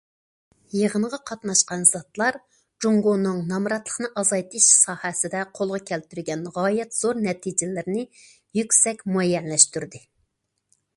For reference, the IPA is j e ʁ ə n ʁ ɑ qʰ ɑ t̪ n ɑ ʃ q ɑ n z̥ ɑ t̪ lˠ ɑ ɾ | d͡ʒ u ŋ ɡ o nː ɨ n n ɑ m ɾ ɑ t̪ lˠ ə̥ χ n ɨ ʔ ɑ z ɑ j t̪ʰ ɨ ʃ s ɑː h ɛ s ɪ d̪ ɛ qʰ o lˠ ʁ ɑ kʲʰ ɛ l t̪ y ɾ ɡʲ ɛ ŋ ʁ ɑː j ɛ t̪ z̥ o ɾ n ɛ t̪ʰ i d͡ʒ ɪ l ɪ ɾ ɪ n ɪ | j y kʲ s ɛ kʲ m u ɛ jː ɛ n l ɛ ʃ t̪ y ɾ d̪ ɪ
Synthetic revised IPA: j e ʁ ə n ʁ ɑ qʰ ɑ t̪ n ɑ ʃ q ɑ n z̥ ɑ t̪ lˠ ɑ ɾ | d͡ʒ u ŋ ɡ o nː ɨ ŋ n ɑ m ɾ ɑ t̪ lˠ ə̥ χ n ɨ ʔ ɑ z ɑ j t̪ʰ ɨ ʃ s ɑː h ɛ s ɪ d̪ ɛ qʰ o lˠ ʁ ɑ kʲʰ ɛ l t̪ y ɾ ɡʲ ɛ n ʁ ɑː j ɛ t̪ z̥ o ɾ n ɛ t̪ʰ i d͡ʒ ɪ l ɪ ɾ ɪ n ɪ | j y kʲ s ɛ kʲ m u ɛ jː ɛ n l ɛ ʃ t̪ y ɾ d̪ ɪ